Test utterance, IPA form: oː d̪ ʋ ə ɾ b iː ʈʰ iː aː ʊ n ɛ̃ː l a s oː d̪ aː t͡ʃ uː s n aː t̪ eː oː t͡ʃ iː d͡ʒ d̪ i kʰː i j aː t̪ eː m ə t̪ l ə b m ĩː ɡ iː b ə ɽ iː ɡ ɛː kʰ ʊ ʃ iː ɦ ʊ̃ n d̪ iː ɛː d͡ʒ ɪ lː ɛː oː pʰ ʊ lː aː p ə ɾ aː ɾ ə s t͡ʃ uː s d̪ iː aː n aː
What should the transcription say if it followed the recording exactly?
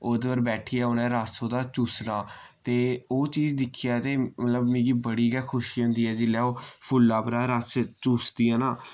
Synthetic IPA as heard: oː d̪ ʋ ə ɾ b ɛː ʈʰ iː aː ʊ n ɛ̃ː ɾ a s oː d̪ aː t͡ʃ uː s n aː t̪ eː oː t͡ʃ iː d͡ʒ d̪ ɪ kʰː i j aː t̪ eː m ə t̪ l ə b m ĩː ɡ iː b ə ɽ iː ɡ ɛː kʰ ʊ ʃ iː ɦ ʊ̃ n d̪ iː ɛː d͡ʒ ɪ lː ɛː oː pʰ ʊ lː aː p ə ɾ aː ɾ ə s t͡ʃ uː s d̪ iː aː n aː